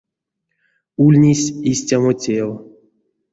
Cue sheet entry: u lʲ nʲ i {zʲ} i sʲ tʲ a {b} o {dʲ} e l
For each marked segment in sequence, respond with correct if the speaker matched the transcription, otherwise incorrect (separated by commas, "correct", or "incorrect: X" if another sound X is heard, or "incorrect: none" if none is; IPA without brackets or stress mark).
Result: incorrect: sʲ, incorrect: m, incorrect: tʲ